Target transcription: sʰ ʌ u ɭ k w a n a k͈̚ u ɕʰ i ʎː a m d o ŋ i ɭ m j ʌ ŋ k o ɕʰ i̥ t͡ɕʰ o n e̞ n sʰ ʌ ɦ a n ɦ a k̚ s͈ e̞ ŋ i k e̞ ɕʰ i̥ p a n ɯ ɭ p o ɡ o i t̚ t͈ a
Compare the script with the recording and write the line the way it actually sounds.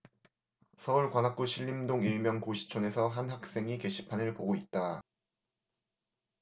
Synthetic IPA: sʰ ʌ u ɭ k w a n a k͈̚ u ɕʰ i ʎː i m d o ŋ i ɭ m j ʌ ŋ k o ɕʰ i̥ t͡ɕʰ o n e̞ sʰ ʌ ɦ a n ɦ a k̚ s͈ e̞ ŋ i k e̞ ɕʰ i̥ pʰ a n ɯ ɭ p o ɡ o i t̚ t͈ a